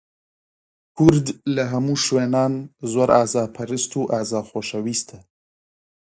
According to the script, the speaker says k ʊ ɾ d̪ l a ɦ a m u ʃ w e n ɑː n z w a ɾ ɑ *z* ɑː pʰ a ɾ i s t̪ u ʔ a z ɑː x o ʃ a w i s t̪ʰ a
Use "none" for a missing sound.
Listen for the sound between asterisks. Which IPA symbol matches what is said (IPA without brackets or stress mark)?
z